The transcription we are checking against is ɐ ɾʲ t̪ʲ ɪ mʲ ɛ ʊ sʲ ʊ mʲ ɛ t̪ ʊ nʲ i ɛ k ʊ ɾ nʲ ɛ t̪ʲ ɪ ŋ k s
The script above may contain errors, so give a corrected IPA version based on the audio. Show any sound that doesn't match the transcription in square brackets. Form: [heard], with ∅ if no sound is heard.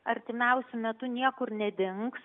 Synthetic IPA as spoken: ɐ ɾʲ t̪ʲ ɪ mʲ ɛ ʊ sʲ ʊ mʲ ɛ t̪ ʊ nʲ i ɛ k ʊ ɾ nʲ ɛ [d̪ʲ] ɪ ŋ k s